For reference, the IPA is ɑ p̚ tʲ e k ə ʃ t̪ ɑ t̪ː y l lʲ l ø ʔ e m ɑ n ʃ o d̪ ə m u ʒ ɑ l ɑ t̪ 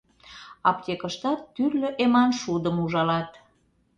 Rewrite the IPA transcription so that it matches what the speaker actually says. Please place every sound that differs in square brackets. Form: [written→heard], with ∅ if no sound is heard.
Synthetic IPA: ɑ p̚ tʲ e k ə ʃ t̪ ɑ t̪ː y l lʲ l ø ʔ e m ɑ n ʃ [o→u] d̪ ə m u ʒ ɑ l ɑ t̪

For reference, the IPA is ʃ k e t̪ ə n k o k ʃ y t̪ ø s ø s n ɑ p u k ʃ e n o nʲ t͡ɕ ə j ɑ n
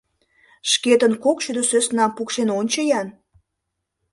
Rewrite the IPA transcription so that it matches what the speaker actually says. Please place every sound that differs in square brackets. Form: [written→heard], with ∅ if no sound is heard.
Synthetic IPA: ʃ k e t̪ ə n k o k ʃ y [t̪→d̪] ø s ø s n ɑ p u k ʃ e n o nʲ t͡ɕ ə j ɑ n

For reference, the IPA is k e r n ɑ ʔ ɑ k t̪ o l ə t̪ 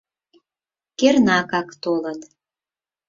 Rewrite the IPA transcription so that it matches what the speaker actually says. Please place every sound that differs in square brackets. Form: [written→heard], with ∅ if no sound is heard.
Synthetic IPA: k e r n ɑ [ʔ→k] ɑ k t̪ o l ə t̪

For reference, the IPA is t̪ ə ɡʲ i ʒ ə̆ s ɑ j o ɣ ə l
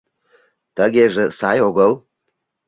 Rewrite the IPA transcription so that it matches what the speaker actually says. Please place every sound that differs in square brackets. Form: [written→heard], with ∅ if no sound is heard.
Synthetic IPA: t̪ ə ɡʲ [i→e] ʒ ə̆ s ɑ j o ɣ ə l

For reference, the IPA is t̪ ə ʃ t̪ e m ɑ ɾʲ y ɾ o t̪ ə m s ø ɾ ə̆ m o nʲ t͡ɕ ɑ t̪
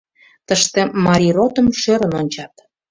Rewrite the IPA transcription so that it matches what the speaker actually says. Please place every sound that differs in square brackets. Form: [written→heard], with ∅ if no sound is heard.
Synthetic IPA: t̪ ə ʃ t̪ e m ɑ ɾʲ [y→i] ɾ o t̪ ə m [s→ʃ] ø ɾ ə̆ [m→n] o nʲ t͡ɕ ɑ t̪

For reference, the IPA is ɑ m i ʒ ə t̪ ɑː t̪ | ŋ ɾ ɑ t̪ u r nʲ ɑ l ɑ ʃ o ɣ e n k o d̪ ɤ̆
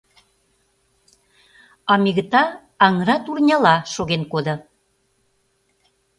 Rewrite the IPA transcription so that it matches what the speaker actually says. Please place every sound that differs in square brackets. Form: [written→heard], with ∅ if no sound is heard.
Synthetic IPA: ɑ m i [ʒ→ɣ] ə t̪ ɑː [t̪→∅] | ŋ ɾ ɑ t̪ u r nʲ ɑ l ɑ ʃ o ɣ e n k o d̪ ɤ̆

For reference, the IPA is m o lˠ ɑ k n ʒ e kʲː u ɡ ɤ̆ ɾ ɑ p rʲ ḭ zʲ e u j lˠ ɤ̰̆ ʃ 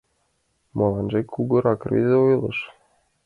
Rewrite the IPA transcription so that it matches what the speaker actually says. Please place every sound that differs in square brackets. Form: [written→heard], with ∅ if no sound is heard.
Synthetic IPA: m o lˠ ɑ [k→∅] n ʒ e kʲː u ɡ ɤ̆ ɾ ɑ [p→k] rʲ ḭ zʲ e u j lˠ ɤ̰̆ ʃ

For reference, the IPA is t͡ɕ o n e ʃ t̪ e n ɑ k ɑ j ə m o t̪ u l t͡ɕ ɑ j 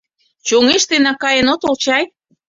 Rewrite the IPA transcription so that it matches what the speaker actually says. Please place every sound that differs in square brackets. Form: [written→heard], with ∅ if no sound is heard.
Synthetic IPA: t͡ɕ o [n→ŋ] e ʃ t̪ e n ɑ k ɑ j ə [m→n] o t̪ [u→o] l t͡ɕ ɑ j

